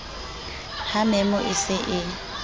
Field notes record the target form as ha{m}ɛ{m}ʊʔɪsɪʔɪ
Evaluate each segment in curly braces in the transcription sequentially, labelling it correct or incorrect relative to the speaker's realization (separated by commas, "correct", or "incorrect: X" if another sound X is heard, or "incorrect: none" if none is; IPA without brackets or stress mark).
correct, correct